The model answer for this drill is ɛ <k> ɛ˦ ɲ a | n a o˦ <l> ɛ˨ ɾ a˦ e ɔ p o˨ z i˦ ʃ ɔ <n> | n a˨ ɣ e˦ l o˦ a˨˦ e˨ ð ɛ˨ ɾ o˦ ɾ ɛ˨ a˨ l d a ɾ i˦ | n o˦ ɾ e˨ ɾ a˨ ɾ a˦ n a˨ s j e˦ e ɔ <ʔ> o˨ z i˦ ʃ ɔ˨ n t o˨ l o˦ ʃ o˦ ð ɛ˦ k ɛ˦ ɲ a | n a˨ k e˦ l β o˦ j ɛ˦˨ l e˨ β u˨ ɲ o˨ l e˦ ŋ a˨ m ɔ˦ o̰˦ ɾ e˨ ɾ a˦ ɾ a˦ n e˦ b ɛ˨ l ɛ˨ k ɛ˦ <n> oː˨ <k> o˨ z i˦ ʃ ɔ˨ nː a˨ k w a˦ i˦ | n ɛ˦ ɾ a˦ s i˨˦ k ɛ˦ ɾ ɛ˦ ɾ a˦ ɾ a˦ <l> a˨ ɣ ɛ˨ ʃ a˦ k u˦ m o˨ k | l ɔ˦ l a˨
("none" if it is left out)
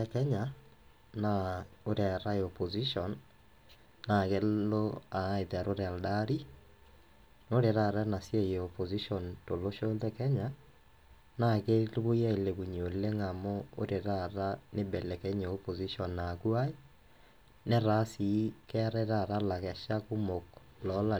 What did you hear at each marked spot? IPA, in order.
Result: k, ɾ, n, p, ɲ, p, l

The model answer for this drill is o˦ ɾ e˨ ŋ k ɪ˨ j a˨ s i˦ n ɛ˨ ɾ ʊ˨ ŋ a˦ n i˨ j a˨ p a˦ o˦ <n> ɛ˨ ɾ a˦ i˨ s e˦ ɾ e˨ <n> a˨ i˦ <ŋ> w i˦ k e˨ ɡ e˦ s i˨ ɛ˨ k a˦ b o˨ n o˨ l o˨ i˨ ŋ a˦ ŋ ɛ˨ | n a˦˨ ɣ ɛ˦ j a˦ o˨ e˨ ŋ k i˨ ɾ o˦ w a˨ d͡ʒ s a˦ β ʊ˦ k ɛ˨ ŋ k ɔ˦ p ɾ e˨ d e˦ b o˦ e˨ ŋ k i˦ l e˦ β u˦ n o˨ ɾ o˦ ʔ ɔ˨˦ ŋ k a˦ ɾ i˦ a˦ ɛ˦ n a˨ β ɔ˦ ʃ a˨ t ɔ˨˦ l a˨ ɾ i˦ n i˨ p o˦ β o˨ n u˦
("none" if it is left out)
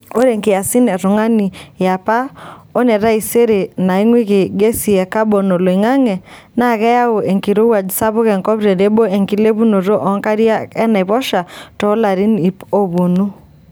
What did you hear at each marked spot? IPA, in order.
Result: n, n, ŋ

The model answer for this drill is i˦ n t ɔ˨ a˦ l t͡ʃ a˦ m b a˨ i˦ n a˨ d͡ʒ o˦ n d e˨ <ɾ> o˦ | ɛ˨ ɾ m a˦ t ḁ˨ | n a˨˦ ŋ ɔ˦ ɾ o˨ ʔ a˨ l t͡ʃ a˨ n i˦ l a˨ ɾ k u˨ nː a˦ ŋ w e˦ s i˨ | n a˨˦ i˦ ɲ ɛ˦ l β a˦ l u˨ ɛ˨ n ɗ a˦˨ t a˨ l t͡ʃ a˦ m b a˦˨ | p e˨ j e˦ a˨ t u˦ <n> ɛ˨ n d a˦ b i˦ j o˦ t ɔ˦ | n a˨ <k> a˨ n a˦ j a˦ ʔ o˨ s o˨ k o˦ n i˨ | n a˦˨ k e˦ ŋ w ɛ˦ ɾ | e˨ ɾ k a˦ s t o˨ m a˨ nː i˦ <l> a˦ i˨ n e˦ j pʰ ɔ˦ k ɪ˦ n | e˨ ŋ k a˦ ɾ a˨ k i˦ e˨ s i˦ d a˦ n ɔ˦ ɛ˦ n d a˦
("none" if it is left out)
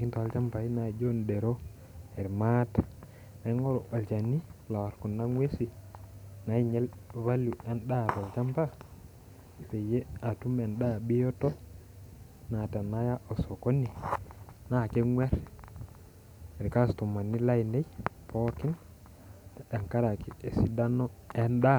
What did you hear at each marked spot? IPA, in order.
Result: ɾ, m, t, l

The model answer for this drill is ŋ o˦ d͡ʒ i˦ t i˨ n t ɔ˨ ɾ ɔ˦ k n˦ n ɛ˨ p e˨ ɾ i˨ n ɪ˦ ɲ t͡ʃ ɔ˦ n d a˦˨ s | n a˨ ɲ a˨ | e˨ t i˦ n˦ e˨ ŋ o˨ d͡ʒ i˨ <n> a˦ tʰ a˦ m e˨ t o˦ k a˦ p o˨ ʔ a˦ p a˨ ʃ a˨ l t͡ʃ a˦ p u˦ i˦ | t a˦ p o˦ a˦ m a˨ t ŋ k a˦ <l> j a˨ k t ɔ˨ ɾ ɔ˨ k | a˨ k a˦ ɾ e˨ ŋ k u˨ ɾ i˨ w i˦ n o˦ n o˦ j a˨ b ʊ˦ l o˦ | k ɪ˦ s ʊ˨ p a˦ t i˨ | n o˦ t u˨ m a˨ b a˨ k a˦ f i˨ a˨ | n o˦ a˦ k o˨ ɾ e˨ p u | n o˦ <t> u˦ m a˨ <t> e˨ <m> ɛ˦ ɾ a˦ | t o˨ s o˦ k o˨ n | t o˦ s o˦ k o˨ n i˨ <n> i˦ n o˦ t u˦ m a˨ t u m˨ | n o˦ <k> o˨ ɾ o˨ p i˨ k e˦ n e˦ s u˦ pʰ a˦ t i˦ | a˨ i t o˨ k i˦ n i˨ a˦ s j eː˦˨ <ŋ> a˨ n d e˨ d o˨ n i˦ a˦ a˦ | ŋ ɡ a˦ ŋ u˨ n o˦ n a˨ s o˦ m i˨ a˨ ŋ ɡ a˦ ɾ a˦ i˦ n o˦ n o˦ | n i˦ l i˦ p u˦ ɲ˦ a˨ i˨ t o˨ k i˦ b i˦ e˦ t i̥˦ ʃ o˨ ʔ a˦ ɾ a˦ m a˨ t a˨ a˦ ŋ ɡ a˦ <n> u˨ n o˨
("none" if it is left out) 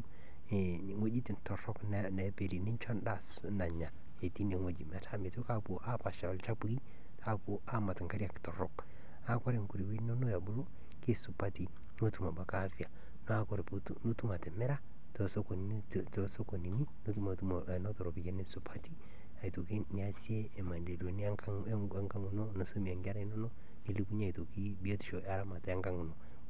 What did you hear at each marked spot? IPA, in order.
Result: m, ɾ, t, t, m, n, t, m, ŋ

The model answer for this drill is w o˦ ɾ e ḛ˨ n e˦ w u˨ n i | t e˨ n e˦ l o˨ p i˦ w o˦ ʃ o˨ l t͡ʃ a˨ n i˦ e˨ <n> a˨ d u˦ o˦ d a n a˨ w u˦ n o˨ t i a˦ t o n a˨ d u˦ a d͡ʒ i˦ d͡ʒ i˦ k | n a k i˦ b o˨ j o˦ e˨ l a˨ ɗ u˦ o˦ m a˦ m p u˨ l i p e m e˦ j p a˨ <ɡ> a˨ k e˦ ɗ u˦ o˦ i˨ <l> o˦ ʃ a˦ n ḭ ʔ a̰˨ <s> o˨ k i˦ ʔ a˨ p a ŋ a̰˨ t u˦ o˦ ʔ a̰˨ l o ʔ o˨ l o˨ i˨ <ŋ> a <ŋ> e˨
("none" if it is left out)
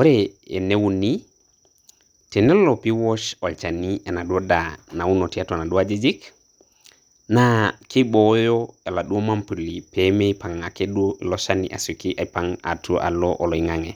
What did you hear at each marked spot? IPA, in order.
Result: n, ŋ, l, s, ŋ, ŋ

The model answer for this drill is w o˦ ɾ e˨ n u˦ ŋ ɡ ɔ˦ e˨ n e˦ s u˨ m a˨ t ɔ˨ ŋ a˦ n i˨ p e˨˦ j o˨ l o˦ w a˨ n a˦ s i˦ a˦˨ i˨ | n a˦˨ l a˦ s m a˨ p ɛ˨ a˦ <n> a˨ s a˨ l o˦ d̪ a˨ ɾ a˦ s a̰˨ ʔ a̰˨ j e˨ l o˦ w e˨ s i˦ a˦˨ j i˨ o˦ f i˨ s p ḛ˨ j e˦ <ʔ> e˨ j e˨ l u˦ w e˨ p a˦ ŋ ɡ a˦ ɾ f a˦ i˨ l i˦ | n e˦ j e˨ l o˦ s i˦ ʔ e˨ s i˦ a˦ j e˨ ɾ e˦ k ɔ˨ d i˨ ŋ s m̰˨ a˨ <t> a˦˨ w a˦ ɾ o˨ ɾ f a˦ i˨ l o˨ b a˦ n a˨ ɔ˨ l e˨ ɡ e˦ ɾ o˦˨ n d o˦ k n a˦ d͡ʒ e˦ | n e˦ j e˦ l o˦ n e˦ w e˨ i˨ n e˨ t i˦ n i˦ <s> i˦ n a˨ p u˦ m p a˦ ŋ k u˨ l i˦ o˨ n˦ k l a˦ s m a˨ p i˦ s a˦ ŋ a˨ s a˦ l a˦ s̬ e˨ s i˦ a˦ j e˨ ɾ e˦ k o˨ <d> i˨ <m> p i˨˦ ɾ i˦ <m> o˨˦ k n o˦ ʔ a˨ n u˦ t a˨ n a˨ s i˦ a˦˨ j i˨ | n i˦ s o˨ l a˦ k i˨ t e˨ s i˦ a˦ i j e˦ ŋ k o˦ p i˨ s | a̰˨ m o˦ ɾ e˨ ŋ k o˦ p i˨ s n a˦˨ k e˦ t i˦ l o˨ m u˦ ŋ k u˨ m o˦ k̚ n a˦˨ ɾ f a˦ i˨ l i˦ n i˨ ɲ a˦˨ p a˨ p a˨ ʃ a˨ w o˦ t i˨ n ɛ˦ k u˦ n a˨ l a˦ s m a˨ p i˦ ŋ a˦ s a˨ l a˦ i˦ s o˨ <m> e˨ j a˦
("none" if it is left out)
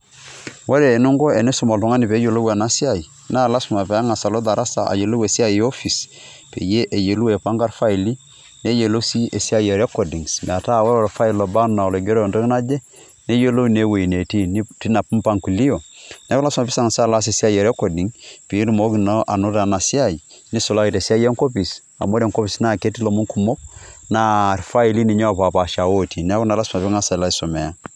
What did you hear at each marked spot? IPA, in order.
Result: ŋ, ʔ, t, t, d, ŋ, m, m

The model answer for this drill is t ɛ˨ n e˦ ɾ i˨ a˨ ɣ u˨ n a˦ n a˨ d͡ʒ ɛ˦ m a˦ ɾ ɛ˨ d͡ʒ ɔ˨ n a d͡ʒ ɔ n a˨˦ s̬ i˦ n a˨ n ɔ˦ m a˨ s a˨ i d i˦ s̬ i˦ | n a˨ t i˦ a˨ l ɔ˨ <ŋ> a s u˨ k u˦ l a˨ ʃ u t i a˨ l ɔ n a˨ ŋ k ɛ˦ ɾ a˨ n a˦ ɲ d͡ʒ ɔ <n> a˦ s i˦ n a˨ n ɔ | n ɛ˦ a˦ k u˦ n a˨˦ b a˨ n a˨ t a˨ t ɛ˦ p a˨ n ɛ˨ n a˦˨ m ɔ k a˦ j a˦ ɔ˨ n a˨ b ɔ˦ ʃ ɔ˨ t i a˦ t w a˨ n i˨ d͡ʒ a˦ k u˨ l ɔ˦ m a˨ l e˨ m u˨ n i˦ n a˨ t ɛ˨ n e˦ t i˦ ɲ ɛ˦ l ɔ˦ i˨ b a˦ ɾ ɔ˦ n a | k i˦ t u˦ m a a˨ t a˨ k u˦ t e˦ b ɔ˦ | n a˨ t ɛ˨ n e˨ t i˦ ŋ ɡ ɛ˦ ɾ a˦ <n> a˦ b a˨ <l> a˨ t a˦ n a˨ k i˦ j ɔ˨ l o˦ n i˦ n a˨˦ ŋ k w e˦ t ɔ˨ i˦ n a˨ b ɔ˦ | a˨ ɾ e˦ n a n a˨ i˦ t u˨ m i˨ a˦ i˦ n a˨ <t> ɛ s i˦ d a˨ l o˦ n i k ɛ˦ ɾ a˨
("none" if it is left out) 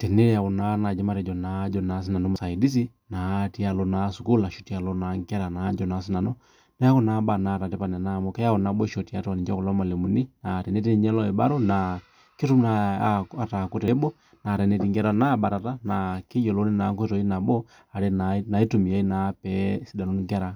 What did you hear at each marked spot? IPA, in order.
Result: n, n, n, ɾ, p

